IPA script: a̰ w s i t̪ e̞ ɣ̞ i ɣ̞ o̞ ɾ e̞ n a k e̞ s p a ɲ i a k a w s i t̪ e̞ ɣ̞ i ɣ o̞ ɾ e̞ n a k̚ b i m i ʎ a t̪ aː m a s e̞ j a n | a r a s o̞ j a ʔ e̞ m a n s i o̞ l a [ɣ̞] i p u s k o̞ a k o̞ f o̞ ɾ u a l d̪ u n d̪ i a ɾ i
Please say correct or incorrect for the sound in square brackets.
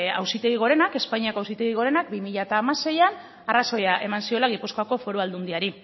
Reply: correct